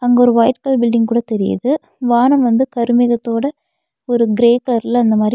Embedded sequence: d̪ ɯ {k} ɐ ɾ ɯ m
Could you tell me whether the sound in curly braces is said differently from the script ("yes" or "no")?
no